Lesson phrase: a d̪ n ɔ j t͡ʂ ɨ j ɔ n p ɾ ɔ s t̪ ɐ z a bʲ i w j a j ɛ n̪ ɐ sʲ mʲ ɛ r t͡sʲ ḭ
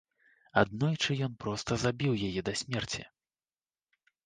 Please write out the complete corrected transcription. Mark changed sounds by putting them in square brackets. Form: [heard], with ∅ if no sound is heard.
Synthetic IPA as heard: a d̪ n ɔ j t͡ʂ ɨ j ɔ n p ɾ ɔ s t̪ ɐ z a bʲ i w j a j ɛ [d̪] ɐ sʲ mʲ ɛ r t͡sʲ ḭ